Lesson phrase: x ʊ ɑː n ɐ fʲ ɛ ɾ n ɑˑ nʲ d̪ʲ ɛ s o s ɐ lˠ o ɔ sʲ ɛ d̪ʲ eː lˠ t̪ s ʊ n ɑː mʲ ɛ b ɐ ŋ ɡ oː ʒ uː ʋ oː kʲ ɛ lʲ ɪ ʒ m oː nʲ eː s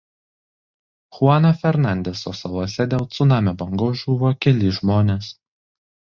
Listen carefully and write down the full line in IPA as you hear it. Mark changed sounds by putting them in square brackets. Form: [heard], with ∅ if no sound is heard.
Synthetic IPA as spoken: x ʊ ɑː n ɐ fʲ ɛ ɾ n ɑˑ nʲ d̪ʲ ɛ s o s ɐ lˠ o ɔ sʲ ɛ d̪ʲ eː lˠ t̪ s ʊ n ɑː mʲ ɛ b ɐ ŋ ɡ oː ʒ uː ʋ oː kʲ ɛ lʲ ɪ ʒ m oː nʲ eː s